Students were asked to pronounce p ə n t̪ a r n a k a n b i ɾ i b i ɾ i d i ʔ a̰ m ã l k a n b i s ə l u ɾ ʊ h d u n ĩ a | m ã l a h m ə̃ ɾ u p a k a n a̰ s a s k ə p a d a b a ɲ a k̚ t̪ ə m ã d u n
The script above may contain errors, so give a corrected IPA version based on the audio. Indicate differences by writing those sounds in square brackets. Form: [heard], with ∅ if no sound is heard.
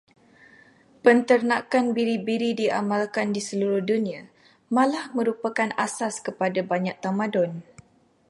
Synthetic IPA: p ə n t̪ [ə] r n a k a n b i ɾ i b i ɾ i d i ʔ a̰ m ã l k a n [d] i s ə l u ɾ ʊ h d u n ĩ a | m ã l a h m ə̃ ɾ u p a k a n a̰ s a s k ə p a d a b a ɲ a k̚ t̪ [a] m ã d [ɔ] n